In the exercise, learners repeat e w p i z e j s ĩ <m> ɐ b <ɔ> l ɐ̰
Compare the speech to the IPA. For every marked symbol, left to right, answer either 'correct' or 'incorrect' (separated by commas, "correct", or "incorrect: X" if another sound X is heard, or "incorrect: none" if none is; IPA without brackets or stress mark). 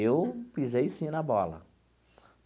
incorrect: n, correct